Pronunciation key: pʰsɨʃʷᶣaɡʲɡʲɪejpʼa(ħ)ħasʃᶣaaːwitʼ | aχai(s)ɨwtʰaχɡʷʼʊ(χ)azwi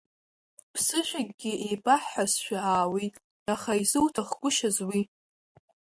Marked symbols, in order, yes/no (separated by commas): yes, no, no